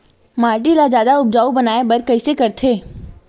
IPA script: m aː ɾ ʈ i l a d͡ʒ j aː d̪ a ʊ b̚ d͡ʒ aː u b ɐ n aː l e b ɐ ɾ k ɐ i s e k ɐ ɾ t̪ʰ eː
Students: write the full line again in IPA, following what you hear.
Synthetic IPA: m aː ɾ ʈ i l a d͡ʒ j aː d̪ a ʊ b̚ d͡ʒ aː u b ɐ n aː e b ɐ ɾ k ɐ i s e k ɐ ɾ t̪ʰ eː